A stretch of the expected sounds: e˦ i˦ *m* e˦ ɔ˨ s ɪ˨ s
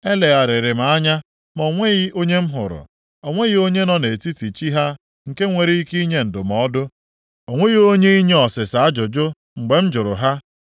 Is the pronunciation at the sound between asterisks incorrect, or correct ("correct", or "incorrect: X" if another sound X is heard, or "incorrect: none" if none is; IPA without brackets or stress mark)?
incorrect: ɲ